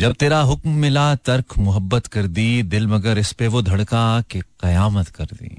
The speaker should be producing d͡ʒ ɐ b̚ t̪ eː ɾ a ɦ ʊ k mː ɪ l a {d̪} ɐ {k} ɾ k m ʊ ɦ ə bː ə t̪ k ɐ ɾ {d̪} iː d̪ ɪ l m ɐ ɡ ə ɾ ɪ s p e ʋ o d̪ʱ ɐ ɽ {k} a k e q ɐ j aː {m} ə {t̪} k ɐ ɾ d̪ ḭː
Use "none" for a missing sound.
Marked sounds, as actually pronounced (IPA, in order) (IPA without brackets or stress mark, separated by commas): t̪, none, d̪, k, m, t̪